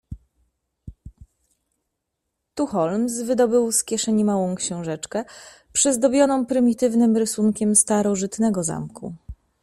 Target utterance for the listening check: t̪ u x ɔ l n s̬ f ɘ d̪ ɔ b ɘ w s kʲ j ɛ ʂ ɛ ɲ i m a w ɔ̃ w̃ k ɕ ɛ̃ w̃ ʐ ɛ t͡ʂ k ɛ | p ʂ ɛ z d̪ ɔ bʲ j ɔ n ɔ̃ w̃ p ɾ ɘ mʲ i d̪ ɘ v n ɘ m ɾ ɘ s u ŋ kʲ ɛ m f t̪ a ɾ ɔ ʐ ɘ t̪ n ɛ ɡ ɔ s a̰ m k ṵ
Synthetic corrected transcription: t̪ u x ɔ l m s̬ v ɘ d̪ ɔ b ɘ w s kʲ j ɛ ʂ ɛ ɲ i m a w ɔ̃ w̃ k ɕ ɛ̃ w̃ ʐ ɛ t͡ʂ k ɛ | p ʂ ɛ z d̪ ɔ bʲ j ɔ n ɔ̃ w̃ p ɾ ɘ mʲ i t̪ ɘ v n ɘ m ɾ ɘ s u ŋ kʲ ɛ m s t̪ a ɾ ɔ ʐ ɘ t̪ n ɛ ɡ ɔ z a̰ m k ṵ